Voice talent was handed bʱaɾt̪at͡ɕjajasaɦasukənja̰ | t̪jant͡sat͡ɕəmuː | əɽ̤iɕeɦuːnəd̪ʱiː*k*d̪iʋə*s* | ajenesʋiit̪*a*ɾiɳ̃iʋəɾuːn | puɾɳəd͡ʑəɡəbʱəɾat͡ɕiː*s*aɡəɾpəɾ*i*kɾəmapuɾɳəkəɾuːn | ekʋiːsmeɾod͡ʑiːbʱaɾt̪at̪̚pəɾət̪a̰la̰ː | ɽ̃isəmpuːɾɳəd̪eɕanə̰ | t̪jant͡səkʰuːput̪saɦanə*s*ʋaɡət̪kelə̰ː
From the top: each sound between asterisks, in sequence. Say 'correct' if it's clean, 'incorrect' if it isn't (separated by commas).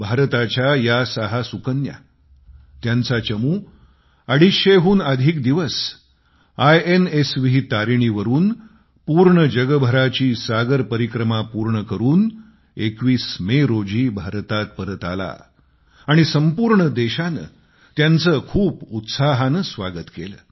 correct, correct, correct, correct, correct, correct